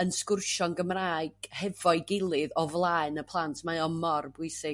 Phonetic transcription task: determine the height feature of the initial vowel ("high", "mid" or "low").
mid